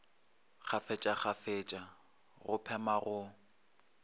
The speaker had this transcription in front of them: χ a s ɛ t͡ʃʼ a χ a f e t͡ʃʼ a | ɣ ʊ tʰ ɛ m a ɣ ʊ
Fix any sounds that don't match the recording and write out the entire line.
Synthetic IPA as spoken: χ a f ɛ t͡ʃʼ a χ a f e t͡ʃʼ a | ɣ ʊ pʰ ɛ m a ɣ ʊ